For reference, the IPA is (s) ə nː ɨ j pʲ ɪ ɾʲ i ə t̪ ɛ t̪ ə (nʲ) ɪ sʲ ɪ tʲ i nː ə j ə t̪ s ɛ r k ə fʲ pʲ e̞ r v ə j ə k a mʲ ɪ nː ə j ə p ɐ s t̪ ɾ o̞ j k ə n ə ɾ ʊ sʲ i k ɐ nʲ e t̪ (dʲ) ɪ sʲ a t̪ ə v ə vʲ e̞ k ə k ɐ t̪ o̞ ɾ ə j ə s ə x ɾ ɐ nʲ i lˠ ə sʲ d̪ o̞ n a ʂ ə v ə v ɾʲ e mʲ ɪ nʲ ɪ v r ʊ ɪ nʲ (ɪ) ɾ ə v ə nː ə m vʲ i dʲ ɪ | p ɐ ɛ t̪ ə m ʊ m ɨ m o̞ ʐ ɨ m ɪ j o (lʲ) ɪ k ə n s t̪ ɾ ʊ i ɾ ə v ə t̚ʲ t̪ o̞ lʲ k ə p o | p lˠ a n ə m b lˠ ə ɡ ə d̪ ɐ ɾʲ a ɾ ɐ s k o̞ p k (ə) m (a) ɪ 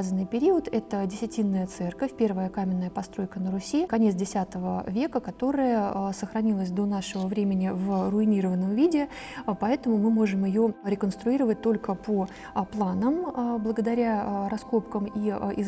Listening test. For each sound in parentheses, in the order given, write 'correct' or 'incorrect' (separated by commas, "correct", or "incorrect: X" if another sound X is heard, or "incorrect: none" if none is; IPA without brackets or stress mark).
incorrect: z, incorrect: dʲ, correct, incorrect: i, incorrect: ɾʲ, correct, incorrect: i